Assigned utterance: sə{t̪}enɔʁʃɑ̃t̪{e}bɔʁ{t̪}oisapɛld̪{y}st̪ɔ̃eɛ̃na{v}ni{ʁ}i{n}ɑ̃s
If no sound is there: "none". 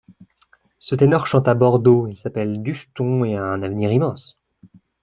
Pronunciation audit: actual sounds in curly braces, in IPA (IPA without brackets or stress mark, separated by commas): t̪, a, d̪, y, v, ʁ, m